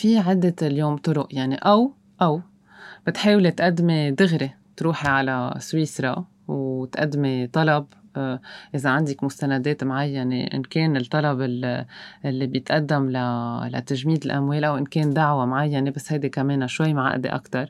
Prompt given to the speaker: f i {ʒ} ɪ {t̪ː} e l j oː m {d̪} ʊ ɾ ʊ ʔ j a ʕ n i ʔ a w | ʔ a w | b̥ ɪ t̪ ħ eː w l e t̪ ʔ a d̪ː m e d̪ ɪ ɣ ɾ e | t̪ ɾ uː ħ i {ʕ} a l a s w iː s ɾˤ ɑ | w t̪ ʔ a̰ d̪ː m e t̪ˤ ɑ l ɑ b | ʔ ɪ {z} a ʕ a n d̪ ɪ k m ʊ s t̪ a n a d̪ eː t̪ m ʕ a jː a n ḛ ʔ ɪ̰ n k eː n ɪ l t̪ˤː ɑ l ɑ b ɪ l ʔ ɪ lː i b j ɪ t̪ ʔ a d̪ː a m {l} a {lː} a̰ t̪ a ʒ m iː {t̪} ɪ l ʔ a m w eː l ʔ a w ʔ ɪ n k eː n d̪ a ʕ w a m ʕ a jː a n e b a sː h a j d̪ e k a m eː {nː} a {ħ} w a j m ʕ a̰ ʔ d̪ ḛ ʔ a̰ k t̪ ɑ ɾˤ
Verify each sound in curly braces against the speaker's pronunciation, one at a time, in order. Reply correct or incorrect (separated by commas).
incorrect, incorrect, incorrect, correct, correct, correct, incorrect, incorrect, incorrect, incorrect